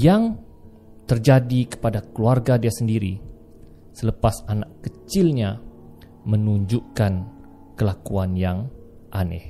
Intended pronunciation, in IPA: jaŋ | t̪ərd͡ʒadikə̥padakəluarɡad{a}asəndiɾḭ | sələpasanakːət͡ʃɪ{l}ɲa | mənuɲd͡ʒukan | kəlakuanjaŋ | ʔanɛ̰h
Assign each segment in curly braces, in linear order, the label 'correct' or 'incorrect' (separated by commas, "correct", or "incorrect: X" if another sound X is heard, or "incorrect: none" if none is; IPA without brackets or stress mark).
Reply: incorrect: i, correct